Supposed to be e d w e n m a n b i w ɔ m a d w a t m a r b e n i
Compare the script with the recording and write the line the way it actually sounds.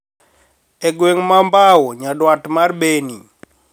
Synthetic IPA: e ɡ w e ŋ m a m b a w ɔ ɲ a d w a t m a r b e n i